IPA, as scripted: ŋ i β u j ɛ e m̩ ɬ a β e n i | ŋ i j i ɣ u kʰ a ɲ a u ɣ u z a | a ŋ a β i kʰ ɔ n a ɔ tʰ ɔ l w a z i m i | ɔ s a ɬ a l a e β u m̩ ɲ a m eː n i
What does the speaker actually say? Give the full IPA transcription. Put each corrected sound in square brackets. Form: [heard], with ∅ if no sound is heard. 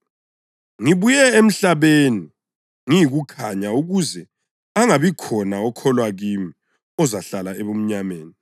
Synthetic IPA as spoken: ŋ i β u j ɛ e m̩ ɬ a β e n i | ŋ i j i ɣ u kʰ a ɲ a u ɣ u z [ɛ] | a ŋ a β i kʰ ɔ n a ɔ [kʰ] ɔ l w a [ɣ] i m i | ɔ [z] a ɬ a l a e β u m̩ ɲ a m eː n i